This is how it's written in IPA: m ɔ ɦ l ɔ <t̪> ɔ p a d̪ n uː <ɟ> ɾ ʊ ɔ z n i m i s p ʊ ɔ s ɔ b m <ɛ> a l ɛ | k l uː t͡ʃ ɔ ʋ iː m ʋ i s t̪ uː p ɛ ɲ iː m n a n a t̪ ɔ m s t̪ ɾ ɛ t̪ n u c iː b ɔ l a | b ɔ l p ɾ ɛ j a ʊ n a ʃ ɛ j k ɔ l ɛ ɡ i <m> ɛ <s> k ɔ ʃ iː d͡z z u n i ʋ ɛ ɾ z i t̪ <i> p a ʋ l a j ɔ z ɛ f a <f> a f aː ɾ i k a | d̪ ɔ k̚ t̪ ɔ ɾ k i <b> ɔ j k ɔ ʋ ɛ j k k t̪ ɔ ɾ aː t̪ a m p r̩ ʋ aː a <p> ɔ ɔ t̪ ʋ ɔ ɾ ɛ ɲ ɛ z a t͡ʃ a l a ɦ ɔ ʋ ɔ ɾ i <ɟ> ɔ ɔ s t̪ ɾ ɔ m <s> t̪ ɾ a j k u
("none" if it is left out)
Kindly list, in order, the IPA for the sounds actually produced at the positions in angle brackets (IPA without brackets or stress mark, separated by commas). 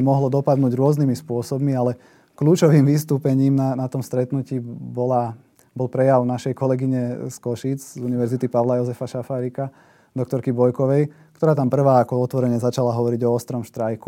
d̪, ɟ, i, ɲ, s, i, ʃ, b, k, ɟ, ʃ